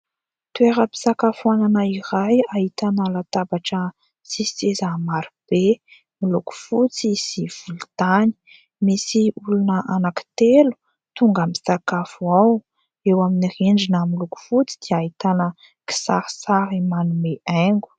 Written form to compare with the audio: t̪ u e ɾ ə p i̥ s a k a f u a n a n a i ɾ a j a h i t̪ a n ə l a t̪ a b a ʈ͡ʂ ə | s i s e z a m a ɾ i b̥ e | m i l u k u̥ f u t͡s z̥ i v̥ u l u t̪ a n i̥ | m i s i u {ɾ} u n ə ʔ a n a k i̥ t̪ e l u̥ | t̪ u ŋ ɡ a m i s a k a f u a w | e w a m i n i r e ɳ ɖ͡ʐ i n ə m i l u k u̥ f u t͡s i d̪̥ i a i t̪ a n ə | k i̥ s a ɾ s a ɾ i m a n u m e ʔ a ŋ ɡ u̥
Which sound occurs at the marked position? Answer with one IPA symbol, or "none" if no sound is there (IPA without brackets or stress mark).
l